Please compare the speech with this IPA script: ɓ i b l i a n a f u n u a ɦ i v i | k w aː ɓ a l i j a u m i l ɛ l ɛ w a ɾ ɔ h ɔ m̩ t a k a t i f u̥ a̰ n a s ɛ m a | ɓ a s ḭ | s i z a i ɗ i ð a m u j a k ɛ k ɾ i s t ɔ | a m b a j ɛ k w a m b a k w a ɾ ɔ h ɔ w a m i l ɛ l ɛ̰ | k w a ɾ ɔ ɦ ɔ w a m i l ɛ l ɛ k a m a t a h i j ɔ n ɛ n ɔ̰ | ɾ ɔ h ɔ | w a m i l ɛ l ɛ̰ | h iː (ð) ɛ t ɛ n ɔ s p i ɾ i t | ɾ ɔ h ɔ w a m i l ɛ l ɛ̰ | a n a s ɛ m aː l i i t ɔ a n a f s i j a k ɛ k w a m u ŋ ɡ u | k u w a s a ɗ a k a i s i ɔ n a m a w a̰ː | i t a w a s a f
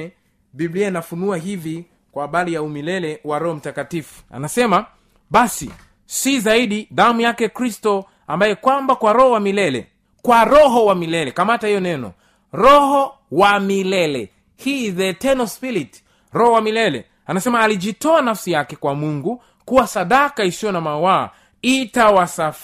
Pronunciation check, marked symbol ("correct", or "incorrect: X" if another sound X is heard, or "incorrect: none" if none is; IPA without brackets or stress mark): correct